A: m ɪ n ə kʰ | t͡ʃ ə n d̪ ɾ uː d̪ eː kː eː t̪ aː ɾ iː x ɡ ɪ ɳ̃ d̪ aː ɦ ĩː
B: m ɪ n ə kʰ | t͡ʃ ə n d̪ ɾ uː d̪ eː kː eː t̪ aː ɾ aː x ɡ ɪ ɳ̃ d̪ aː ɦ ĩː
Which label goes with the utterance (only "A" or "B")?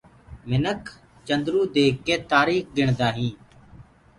A